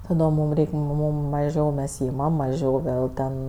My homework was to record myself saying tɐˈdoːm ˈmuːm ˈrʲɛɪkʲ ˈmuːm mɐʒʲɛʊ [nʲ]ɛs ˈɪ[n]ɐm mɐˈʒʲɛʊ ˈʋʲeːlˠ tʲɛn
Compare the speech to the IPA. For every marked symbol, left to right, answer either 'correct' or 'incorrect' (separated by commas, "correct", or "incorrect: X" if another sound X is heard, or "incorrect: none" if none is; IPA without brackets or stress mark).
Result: incorrect: mʲ, incorrect: m